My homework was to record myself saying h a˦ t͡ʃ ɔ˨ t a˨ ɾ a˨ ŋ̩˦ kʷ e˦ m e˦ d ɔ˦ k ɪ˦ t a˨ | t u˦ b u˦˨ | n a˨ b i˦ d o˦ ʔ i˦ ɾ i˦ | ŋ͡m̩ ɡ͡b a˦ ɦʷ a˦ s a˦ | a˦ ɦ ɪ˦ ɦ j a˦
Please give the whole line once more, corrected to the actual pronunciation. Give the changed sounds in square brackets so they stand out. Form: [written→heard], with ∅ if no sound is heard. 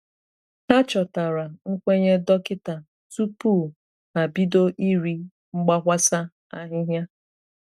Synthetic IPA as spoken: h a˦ t͡ʃ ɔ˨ t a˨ ɾ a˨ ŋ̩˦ kʷ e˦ [m→ɲ] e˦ d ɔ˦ k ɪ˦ t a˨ | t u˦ [b→p] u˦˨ | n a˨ b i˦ d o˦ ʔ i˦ ɾ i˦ | ŋ͡m̩ ɡ͡b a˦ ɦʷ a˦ s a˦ | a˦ ɦ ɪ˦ ɦ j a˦